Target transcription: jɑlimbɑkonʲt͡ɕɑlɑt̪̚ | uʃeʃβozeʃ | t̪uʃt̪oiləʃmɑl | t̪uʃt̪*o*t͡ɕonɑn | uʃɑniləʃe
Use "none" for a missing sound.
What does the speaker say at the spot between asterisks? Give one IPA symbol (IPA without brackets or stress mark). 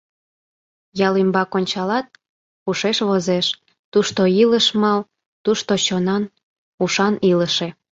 o